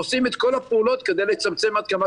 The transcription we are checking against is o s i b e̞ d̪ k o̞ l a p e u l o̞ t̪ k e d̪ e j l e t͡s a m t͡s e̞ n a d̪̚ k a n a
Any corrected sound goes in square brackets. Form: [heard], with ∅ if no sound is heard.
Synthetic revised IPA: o s i [m] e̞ [t̪] k o̞ l a p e u l o̞ t̪ k e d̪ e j l e t͡s a m t͡s e̞ [m] a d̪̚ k a [m] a